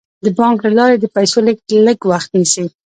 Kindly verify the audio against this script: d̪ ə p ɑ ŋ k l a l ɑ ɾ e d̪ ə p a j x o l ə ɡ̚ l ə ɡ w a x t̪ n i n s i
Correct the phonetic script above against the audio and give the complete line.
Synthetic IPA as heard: d̪ ə b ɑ ŋ k l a l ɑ ɾ e d̪ ə p a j s o l ə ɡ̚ l ə ɡ w a x t̪ n i s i